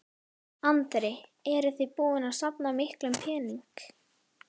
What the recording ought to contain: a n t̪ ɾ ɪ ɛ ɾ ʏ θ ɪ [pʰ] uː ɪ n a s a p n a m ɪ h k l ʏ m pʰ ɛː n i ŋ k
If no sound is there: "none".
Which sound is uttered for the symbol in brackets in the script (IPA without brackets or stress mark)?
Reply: p